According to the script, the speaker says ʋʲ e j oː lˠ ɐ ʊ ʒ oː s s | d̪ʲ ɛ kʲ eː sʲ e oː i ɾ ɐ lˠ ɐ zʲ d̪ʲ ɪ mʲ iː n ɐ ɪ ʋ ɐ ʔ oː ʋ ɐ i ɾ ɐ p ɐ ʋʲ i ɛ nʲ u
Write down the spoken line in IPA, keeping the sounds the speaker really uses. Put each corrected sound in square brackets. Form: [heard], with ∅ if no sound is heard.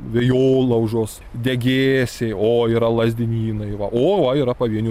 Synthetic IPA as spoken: ʋʲ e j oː lˠ ɐ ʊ ʒ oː s s | d̪ʲ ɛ [ɡʲ] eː sʲ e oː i ɾ ɐ lˠ ɐ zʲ d̪ʲ ɪ [nʲ] iː n ɐ ɪ ʋ ɐ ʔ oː ʋ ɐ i ɾ ɐ p ɐ ʋʲ i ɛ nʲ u